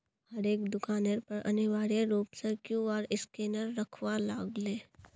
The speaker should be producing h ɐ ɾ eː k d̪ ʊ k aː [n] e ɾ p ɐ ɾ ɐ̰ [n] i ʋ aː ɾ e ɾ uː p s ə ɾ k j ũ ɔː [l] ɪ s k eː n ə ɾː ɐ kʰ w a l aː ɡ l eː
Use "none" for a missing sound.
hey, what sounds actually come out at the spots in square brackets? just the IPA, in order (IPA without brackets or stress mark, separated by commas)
n, n, ɾ